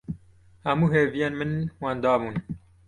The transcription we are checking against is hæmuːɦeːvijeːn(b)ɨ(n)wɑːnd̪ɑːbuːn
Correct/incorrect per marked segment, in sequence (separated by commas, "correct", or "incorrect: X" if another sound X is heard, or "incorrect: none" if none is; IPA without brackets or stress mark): incorrect: m, correct